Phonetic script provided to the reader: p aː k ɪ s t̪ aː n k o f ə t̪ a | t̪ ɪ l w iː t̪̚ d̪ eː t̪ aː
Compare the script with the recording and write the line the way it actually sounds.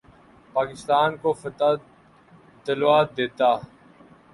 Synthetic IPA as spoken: p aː k ɪ s t̪ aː n k o f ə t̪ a | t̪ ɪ l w aː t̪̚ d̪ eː t̪ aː